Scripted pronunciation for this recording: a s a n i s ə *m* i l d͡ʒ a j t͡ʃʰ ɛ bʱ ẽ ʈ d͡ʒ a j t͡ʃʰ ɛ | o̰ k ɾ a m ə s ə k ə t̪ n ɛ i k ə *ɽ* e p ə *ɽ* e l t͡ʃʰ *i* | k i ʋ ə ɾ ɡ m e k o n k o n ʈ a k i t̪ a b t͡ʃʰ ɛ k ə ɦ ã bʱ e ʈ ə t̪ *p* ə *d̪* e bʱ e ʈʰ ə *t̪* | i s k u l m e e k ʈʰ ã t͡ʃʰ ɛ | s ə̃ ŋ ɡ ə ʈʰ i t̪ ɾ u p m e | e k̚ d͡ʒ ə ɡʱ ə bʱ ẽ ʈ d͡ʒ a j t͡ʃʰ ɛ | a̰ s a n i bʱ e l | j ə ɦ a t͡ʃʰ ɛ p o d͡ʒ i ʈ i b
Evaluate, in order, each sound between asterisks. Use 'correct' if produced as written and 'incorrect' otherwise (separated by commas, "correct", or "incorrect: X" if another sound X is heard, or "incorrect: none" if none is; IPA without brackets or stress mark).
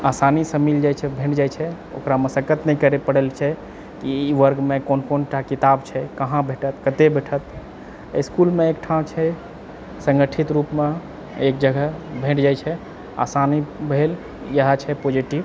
correct, incorrect: ɾ, correct, incorrect: ɛ, incorrect: k, incorrect: t̪, correct